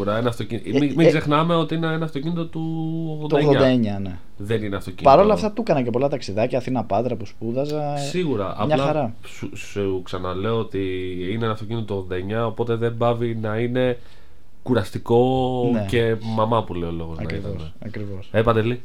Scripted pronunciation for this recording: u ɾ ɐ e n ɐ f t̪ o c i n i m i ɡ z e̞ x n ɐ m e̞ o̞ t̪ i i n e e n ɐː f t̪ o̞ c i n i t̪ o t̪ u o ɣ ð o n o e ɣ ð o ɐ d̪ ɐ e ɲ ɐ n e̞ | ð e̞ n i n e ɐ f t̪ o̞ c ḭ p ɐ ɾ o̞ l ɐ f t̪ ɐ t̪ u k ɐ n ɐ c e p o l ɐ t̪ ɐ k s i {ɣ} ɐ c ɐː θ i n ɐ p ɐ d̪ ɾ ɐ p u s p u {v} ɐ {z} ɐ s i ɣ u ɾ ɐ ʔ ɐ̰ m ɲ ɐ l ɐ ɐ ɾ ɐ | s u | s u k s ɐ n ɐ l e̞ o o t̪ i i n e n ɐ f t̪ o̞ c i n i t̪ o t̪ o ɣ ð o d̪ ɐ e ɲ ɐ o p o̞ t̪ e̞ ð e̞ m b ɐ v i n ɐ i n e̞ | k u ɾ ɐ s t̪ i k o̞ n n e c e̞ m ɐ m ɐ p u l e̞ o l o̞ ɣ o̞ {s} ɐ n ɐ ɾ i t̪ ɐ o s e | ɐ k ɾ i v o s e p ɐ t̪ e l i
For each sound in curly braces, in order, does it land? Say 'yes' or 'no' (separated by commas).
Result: no, no, yes, no